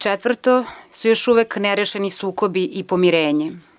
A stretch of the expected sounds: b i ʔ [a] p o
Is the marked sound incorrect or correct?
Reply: incorrect